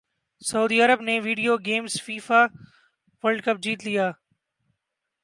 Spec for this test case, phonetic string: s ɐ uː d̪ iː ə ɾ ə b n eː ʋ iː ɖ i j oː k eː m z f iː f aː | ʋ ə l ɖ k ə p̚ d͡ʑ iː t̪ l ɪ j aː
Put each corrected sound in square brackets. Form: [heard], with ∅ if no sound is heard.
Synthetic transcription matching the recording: s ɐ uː d̪ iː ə ɾ ə b n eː ʋ iː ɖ i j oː [ɡ] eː m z f iː f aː | ʋ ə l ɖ k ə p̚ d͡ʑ iː t̪ l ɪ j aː